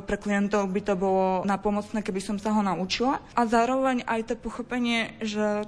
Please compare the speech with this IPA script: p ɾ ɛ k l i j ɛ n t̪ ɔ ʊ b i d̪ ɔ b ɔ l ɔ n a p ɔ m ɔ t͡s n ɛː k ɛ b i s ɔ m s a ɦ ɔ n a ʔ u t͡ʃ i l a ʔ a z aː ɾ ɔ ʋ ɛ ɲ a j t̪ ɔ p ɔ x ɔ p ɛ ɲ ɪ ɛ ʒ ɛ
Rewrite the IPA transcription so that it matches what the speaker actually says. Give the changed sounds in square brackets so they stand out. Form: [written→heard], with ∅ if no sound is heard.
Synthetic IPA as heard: p ɾ ɛ k l i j ɛ n t̪ ɔ ʊ b i [d̪→t̪] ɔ b ɔ l ɔ n a p ɔ m ɔ t͡s n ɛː k ɛ b i s ɔ m s a ɦ ɔ n a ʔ u t͡ʃ i l a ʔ a z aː ɾ ɔ ʋ ɛ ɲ a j t̪ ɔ p ɔ x ɔ p ɛ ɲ ɪ ɛ ʒ ɛ